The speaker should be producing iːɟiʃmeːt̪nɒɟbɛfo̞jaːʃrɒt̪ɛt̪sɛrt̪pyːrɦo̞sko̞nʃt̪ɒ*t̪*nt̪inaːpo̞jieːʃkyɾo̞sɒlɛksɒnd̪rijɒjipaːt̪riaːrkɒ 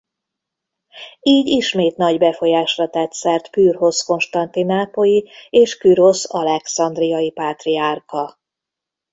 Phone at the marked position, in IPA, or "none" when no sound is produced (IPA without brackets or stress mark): none